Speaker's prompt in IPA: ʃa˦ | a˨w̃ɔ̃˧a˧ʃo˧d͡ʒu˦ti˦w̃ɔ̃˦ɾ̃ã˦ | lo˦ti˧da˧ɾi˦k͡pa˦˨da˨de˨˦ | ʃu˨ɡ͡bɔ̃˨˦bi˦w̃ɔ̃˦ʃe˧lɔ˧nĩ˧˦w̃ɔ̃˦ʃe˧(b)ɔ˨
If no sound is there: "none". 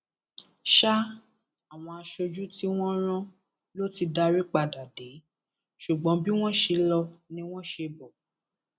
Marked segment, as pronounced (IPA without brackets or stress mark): b